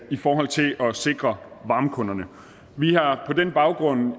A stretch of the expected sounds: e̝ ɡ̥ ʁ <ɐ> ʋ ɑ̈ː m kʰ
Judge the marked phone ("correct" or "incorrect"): correct